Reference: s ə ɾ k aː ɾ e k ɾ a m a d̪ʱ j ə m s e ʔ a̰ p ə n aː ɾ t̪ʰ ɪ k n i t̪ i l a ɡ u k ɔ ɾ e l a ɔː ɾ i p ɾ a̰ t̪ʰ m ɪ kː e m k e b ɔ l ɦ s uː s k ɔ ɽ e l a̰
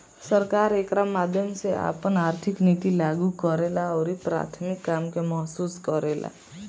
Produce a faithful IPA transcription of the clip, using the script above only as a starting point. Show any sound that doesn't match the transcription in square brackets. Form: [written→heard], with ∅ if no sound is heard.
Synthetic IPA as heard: s ə ɾ k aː ɾ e k ɾ a m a d̪ʱ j ə m s e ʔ a̰ p ə n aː ɾ t̪ʰ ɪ k n i t̪ i l a ɡ u k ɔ ɾ e l a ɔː ɾ i p ɾ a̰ t̪ʰ m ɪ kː [e→a] m k e [b→m] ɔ [l→∅] ɦ s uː s k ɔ [ɽ→ɾ] e l a̰